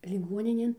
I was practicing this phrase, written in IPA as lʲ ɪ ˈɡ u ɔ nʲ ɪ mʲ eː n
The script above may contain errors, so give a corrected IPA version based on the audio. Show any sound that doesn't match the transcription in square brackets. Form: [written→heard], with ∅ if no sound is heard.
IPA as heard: lʲ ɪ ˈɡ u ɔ nʲ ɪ [mʲ→nʲ] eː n